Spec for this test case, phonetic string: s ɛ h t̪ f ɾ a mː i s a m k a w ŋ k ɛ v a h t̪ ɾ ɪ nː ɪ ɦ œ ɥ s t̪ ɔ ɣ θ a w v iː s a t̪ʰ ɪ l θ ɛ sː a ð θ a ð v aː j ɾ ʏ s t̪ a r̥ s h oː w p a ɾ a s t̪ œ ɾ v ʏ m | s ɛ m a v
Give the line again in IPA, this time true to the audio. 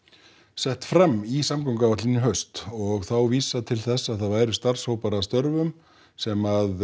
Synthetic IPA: s ɛ h t̪ f ɾ a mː i s a m k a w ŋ k a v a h t̪ l ɪ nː ɪ ɦ œ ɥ s t̪ ɔ ɣ θ a w v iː s a t̪ʰ ɪ l θ ɛ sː a ð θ a ð v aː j ɾ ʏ s t̪ a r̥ s h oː w p a ɾ a s t̪ œ ɾ v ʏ m | s ɛ m a ð